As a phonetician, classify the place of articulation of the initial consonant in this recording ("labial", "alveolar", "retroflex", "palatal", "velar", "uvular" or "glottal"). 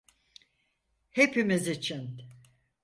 glottal